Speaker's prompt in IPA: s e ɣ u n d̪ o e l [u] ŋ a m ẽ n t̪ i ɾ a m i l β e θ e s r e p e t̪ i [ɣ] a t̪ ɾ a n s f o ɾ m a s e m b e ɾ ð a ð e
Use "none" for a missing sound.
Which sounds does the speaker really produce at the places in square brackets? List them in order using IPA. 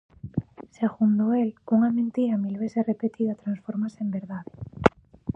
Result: u, ð

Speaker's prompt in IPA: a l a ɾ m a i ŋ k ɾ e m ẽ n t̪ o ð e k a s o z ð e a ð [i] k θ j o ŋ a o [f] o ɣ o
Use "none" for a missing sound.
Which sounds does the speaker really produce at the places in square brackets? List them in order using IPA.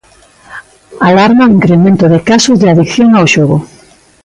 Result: i, ʃ

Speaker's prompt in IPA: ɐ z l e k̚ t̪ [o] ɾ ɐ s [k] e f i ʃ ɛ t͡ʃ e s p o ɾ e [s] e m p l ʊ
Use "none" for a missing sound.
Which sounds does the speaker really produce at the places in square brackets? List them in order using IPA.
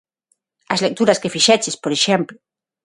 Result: u, k, ʃ

